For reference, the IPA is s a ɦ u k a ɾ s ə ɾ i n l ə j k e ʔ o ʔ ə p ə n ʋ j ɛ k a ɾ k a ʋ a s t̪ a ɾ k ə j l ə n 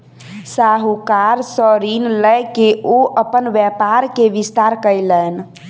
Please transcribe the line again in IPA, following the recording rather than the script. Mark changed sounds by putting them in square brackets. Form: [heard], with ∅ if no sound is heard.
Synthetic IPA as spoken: s a ɦ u k a ɾ s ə ɾ i n l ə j k e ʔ o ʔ ə p ə n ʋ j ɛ [p] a ɾ k [e] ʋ [i] s t̪ a ɾ k ə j l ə n